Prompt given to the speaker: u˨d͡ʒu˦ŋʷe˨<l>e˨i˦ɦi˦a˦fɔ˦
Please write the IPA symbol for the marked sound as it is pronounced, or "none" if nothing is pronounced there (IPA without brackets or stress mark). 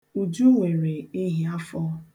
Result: ɾ